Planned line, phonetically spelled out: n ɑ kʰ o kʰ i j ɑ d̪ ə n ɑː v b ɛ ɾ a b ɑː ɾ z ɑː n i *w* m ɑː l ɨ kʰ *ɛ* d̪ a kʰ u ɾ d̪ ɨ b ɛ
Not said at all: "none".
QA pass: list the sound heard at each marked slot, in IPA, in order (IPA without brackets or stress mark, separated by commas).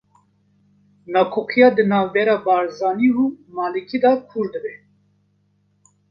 u, i